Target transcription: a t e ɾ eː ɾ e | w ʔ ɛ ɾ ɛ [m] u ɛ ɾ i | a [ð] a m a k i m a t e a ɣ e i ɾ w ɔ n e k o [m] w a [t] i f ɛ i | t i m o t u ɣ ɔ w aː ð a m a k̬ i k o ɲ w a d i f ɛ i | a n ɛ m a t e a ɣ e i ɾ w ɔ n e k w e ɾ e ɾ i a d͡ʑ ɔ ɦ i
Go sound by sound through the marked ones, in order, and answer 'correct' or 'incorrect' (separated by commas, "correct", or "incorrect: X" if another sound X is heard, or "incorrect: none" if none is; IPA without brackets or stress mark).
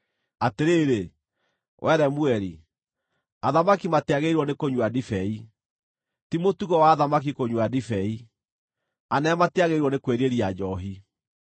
correct, correct, incorrect: ɲ, incorrect: d